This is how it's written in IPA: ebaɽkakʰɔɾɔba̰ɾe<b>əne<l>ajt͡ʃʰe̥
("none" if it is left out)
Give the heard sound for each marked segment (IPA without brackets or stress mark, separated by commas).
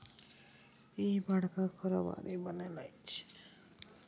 b, l